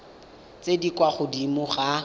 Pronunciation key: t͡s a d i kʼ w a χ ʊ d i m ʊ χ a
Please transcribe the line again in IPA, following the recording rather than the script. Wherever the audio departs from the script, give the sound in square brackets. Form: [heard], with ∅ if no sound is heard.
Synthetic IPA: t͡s [e] d i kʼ w a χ ʊ d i m ʊ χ a